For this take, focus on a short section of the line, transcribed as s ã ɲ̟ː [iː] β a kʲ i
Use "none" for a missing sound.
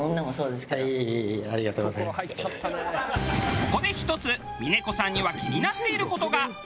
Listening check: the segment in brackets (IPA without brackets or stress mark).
i